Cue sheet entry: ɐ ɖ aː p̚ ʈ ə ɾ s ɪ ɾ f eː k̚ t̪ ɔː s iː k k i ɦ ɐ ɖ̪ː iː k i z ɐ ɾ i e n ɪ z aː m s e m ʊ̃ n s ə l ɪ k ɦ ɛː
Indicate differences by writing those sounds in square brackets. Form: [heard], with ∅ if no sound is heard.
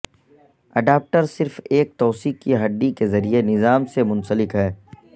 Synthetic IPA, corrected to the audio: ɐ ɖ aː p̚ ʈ ə ɾ s ɪ ɾ f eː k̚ t̪ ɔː s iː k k i ɦ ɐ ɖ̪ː [i] k [e] z ɐ ɾ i e n ɪ z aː m s e m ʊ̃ n s ə l ɪ k ɦ ɛː